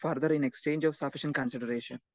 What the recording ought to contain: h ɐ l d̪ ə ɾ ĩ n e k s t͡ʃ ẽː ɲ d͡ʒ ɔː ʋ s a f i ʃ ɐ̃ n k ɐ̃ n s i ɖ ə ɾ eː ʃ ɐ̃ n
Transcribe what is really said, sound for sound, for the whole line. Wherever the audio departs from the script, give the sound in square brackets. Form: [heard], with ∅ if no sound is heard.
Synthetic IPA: [f] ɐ [ɾ] d̪ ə ɾ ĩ n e k s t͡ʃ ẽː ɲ d͡ʒ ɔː ʋ s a f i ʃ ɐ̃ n k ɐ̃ n s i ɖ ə ɾ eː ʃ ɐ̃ n